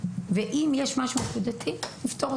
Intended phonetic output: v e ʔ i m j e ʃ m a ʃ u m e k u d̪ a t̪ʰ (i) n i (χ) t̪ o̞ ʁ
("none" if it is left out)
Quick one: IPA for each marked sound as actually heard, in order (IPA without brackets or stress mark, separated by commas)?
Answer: i, f